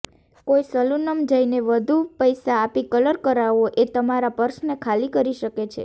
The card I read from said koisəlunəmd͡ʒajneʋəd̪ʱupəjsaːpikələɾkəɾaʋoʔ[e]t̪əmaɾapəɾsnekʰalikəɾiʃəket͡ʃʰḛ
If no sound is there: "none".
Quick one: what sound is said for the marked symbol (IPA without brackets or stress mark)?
e